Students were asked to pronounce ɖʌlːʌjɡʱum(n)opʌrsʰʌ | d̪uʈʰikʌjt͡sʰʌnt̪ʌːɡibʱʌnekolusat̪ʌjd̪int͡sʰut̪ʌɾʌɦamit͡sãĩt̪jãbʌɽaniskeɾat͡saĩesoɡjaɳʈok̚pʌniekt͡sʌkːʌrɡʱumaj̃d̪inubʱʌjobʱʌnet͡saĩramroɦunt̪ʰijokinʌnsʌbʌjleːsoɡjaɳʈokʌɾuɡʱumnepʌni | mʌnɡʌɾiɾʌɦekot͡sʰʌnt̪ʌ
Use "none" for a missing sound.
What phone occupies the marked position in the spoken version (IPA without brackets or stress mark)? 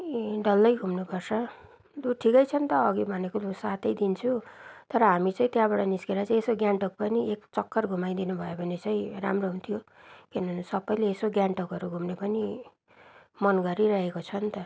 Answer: n